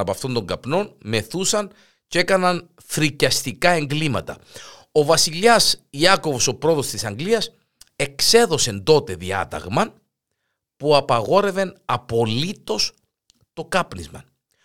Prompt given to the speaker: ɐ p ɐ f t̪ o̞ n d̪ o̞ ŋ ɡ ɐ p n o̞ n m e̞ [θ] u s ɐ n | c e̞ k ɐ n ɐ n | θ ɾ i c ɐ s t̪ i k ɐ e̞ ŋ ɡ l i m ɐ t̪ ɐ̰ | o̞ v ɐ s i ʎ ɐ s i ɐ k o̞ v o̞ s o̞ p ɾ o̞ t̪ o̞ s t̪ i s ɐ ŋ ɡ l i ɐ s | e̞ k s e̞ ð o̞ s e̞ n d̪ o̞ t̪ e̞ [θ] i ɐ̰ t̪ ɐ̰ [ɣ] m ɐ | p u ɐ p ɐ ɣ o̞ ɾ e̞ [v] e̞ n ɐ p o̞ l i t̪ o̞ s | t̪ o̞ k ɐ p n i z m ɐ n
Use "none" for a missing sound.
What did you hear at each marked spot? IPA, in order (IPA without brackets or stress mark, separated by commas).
θ, ð, ɣ, v